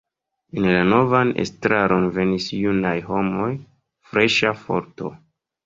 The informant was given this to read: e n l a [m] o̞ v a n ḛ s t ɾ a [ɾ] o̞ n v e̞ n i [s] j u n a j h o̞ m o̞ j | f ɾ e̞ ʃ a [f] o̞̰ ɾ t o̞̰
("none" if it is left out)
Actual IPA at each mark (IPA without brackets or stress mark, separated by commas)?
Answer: n, ɾ, s, f